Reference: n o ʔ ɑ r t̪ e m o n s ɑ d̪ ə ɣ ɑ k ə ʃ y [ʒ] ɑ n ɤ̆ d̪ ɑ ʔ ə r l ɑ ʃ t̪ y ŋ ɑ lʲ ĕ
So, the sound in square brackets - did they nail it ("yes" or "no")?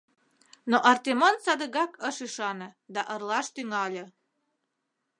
no